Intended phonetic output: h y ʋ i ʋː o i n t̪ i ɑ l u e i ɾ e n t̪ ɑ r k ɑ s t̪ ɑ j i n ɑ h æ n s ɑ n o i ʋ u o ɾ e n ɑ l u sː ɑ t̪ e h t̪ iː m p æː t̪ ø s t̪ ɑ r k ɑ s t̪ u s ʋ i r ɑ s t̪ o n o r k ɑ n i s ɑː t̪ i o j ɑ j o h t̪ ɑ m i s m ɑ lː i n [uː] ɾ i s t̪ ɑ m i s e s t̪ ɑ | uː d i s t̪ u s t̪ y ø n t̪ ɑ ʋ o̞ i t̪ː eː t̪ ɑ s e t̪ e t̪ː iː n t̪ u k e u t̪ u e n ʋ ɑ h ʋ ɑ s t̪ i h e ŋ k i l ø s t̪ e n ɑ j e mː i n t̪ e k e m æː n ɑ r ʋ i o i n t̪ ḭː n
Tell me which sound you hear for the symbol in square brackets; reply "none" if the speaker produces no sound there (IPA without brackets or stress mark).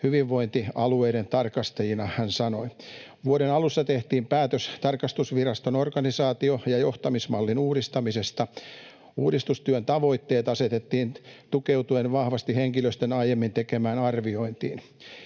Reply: uː